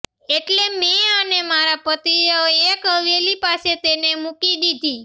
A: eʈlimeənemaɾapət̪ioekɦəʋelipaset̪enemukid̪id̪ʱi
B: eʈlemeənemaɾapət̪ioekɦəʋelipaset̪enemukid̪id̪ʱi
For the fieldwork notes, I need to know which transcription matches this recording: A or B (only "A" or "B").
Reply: B